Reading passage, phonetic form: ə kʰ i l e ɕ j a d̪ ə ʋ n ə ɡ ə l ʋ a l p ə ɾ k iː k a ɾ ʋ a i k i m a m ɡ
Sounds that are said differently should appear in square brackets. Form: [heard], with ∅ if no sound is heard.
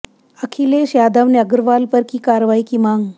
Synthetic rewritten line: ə kʰ i l e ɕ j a d̪ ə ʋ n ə ɡ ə [ɾ] ʋ a l p ə ɾ k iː k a ɾ ʋ a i k i m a [ŋ] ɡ